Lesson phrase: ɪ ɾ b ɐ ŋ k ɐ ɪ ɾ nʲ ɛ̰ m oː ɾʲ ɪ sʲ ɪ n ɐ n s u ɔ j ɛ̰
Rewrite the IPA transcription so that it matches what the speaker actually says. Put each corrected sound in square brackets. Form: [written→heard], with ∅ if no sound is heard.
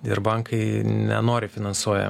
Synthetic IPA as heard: ɪ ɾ b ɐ ŋ k ɐ ɪ [ɾ→∅] nʲ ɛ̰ [m→n] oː ɾʲ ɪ [sʲ→fʲ] ɪ n ɐ n s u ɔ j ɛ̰

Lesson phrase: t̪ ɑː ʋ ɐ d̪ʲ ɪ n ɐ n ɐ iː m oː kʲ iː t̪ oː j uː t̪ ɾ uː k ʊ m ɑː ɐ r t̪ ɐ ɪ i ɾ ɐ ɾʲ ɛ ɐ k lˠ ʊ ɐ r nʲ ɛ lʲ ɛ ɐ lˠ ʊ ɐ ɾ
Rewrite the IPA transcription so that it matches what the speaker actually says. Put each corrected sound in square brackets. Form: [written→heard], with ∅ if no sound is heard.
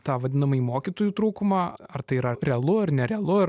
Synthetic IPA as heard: t̪ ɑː ʋ ɐ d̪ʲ ɪ n ɐ [n→m] ɐ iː m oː kʲ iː t̪ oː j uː t̪ ɾ uː k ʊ m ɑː ɐ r t̪ ɐ ɪ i ɾ ɐ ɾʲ ɛ ɐ [k→∅] lˠ ʊ ɐ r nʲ ɛ [lʲ→ɾʲ] ɛ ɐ lˠ ʊ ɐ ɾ

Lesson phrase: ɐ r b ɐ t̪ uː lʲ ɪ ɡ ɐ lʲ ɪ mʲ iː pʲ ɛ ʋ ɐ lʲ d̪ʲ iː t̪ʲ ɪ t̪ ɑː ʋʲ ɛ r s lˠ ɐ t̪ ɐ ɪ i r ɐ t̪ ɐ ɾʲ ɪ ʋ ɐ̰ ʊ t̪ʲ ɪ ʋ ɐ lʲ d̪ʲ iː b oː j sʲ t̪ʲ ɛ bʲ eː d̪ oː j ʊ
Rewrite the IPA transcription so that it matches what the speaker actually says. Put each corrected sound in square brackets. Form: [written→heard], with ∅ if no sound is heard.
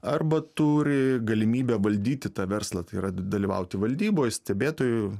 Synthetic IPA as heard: ɐ r b ɐ t̪ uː [lʲ→ɾʲ] ɪ ɡ ɐ lʲ ɪ mʲ iː [pʲ→bʲ] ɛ ʋ ɐ lʲ d̪ʲ iː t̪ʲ ɪ t̪ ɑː ʋʲ ɛ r s lˠ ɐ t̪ ɐ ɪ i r ɐ [t̪→d̪] ɐ [ɾʲ→lʲ] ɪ ʋ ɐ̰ ʊ t̪ʲ ɪ ʋ ɐ lʲ d̪ʲ iː b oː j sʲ t̪ʲ ɛ bʲ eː [d̪→t̪] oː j ʊ

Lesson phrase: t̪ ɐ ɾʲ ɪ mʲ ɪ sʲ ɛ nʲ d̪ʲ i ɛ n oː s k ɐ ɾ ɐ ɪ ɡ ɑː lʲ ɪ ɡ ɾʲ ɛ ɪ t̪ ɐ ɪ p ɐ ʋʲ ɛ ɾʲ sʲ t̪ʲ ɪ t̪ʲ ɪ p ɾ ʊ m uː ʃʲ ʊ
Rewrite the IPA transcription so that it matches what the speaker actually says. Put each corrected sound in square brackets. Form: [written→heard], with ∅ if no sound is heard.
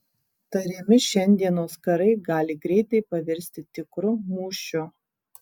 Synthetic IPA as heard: t̪ ɐ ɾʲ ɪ mʲ ɪ [sʲ→ʃʲ] ɛ nʲ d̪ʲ i ɛ n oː s k ɐ ɾ ɐ ɪ ɡ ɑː lʲ ɪ ɡ ɾʲ ɛ ɪ t̪ ɐ ɪ p ɐ ʋʲ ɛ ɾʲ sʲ t̪ʲ ɪ t̪ʲ ɪ [p→k] ɾ ʊ m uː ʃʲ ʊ

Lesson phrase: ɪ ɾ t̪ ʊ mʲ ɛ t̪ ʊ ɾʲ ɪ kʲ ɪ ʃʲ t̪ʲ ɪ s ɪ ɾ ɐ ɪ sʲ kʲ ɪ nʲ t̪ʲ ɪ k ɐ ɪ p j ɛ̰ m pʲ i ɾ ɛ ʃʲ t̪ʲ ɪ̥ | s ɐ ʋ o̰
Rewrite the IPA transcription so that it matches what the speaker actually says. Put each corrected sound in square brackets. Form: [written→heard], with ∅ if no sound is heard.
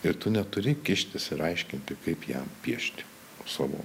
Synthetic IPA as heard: ɪ ɾ t̪ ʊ [mʲ→nʲ] ɛ t̪ ʊ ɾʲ ɪ kʲ ɪ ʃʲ t̪ʲ ɪ s ɪ ɾ ɐ ɪ [sʲ→ʃʲ] kʲ ɪ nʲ t̪ʲ ɪ k ɐ ɪ p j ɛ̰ m pʲ i [ɾ→∅] ɛ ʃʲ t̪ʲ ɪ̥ | s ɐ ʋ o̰

